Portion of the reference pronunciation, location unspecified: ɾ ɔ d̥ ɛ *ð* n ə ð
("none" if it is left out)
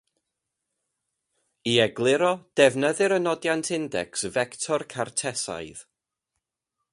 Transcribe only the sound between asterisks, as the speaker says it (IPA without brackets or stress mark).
v